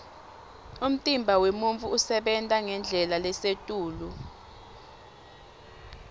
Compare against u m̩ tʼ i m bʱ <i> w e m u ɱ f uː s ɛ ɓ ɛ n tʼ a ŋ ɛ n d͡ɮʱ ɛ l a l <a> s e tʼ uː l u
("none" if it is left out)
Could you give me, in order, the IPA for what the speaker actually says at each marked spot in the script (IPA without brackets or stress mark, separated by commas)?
a, ɛ